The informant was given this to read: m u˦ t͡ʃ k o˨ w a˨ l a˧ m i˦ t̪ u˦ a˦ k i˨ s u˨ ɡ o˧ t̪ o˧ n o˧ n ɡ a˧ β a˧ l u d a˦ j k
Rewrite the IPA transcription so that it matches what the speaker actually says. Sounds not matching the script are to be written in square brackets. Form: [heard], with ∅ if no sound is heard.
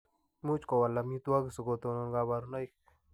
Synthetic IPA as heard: m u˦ t͡ʃ k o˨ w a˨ l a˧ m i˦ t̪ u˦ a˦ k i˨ s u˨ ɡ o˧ t̪ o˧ n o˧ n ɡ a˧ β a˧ [ɾ] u [n] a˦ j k